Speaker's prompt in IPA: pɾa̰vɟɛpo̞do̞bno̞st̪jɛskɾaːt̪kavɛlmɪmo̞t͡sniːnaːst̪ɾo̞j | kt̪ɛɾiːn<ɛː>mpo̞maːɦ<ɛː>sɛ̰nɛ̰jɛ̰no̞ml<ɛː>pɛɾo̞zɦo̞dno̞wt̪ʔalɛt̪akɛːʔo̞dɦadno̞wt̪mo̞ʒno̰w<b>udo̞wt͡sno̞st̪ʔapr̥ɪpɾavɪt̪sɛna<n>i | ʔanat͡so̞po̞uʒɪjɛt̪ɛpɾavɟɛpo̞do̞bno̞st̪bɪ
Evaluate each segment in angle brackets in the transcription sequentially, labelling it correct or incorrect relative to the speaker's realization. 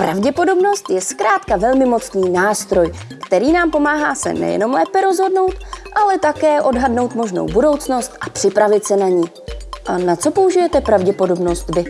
incorrect: aː, incorrect: aː, correct, correct, incorrect: ɲ

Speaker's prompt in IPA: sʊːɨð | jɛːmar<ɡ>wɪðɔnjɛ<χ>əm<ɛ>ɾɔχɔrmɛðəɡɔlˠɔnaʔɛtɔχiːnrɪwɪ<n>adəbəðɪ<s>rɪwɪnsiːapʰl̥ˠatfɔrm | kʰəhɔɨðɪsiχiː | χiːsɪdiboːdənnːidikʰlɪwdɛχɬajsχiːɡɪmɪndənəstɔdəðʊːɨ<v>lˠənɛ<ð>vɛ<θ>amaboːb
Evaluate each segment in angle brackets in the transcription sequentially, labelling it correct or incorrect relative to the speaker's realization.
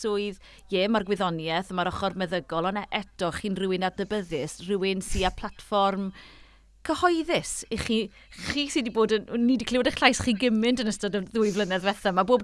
correct, incorrect: θ, incorrect: a, correct, correct, correct, correct, correct

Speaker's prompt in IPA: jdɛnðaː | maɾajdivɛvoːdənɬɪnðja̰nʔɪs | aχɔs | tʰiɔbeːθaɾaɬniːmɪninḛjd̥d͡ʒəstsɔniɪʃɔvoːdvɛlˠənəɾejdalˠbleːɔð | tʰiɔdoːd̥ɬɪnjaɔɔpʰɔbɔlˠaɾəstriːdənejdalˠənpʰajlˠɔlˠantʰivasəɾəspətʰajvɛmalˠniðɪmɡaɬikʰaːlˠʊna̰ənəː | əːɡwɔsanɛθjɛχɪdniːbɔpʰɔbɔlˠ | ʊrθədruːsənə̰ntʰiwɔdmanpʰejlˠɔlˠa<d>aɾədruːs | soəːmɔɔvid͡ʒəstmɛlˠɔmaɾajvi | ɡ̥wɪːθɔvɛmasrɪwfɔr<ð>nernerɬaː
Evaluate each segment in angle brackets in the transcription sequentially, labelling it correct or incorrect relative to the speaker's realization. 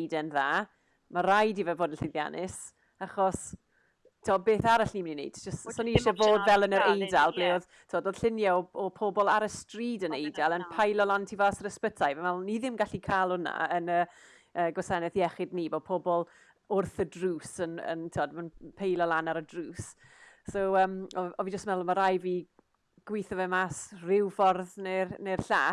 incorrect: n, correct

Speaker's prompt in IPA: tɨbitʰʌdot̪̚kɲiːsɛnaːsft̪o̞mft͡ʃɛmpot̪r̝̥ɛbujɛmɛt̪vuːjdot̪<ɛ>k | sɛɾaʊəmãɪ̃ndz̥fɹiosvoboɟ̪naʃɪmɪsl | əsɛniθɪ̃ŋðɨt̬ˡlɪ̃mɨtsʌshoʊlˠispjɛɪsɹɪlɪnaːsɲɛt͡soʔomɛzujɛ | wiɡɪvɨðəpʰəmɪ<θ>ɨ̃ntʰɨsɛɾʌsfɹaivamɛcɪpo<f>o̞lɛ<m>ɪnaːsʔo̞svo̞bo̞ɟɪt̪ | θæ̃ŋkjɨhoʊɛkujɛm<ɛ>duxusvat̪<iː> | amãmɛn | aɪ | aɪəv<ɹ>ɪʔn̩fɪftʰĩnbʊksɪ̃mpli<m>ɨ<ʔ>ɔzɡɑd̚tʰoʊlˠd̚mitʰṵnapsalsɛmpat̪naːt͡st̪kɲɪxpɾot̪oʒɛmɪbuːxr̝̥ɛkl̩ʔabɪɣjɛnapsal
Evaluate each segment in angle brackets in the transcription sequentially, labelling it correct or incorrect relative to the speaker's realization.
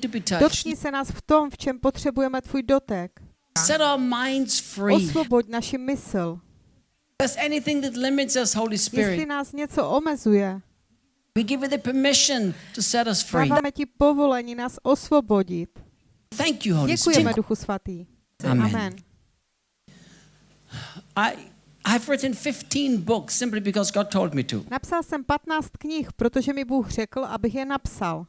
correct, incorrect: ʃ, incorrect: v, incorrect: ɲ, correct, correct, correct, incorrect: b, incorrect: k

